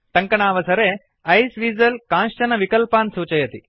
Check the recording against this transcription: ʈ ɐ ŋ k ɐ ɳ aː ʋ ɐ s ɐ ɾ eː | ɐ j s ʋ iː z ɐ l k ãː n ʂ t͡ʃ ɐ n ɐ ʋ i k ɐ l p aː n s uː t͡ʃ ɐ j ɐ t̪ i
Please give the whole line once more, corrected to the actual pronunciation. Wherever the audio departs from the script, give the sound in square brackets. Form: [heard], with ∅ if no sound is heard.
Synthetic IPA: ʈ ɐ ŋ k ɐ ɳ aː ʋ ɐ s ɐ ɾ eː | ɐ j s ʋ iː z ɐ l k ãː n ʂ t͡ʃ ɐ n ɐ ʋ i k ɐ l p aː n s uː t͡ʃ ɐ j ɐ t̪ i